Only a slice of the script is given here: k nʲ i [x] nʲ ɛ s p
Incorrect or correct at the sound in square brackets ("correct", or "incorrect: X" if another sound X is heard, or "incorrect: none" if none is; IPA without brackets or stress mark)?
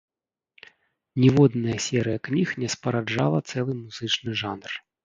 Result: correct